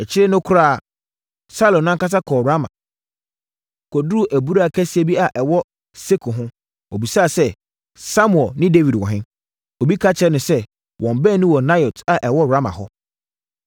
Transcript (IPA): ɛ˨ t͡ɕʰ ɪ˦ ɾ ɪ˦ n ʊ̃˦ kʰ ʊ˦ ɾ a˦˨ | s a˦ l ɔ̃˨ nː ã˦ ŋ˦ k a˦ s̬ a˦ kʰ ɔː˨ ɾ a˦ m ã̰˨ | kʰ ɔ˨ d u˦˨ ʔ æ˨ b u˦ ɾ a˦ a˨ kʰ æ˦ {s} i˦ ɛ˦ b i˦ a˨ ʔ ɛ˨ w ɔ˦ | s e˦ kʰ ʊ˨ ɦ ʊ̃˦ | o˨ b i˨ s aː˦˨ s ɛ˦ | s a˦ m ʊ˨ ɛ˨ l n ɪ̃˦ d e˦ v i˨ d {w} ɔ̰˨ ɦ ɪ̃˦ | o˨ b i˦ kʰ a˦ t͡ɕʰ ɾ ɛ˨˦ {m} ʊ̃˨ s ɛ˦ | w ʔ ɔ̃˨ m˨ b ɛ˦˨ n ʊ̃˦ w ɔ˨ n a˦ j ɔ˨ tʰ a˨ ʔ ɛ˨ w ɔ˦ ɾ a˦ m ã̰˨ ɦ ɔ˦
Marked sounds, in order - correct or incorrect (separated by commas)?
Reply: correct, correct, incorrect